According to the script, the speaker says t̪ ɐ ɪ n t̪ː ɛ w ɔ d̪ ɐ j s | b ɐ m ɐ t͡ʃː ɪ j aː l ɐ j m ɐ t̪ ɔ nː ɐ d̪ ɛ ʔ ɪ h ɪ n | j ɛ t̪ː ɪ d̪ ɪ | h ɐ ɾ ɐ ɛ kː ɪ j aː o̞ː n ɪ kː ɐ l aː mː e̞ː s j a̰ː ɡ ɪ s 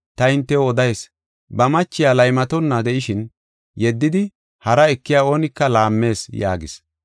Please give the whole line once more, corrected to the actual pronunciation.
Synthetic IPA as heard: t̪ ɐ ɪ n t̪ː ɛ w ɔ d̪ ɐ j s | b ɐ m ɐ t͡ʃː ɪ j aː l ɐ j m ɐ t̪ ɔ nː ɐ d̪ ɛ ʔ ɪ ʃ ɪ n | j ɛ d̪ː ɪ d̪ ɪ | h ɐ ɾ ɐ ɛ kː ɪ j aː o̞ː n ɪ kː ɐ l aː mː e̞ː s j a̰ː ɡ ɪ s